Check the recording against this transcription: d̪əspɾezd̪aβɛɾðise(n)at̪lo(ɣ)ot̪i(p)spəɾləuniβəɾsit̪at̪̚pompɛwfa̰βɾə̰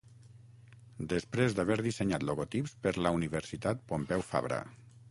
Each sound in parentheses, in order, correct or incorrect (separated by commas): incorrect, correct, correct